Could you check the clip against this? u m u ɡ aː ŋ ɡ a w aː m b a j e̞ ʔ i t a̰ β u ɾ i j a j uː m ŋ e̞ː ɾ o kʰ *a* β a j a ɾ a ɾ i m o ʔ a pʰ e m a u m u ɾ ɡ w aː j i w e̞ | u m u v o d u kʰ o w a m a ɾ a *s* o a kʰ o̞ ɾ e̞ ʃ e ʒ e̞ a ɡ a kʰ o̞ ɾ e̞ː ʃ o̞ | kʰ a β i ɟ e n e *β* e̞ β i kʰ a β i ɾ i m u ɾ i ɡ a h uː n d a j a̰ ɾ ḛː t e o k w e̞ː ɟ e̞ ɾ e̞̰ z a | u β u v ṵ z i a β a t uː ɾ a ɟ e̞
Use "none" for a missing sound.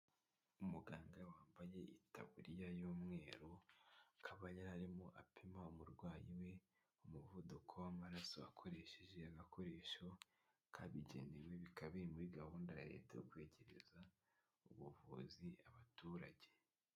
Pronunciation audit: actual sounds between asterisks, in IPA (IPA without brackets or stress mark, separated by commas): a, s, w